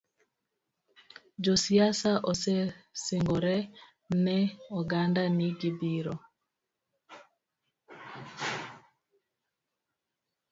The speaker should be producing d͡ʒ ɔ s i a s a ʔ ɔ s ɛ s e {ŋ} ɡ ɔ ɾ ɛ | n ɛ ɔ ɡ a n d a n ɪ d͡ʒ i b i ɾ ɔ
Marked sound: correct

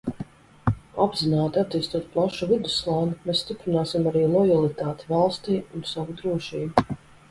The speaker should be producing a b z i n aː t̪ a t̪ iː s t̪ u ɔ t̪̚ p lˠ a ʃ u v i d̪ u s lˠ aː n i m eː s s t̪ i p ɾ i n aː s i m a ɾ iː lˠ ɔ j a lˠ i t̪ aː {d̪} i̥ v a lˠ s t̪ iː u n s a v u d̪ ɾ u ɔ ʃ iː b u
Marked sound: incorrect: t̪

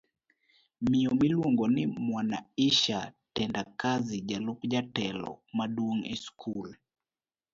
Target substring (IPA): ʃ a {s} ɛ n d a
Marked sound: incorrect: t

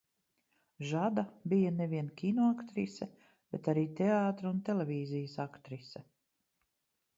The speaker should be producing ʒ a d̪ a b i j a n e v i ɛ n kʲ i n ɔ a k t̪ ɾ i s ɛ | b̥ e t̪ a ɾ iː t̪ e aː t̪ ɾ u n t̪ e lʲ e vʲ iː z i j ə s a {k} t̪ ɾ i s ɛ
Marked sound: correct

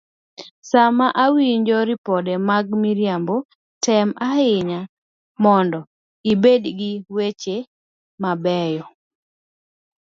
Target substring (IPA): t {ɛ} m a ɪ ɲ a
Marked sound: correct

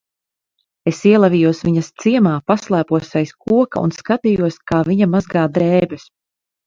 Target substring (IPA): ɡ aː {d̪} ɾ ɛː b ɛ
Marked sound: correct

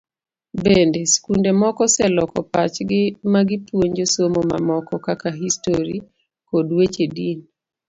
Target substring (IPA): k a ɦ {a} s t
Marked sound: incorrect: i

